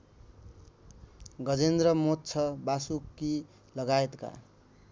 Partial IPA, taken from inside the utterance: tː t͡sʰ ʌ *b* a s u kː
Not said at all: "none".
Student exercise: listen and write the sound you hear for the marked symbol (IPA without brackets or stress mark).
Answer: b